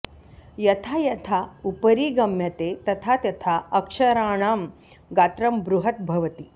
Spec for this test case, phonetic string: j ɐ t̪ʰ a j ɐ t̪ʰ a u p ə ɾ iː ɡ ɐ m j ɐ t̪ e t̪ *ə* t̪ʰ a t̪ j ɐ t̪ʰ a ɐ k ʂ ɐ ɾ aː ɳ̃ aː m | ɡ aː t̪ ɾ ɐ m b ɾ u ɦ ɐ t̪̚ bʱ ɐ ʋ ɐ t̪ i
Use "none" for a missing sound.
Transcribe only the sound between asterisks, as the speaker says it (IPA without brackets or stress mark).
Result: ɐ